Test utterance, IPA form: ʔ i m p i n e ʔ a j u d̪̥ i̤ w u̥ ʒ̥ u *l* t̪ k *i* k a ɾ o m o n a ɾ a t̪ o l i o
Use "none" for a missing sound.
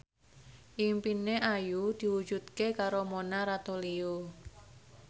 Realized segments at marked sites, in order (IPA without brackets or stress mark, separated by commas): none, e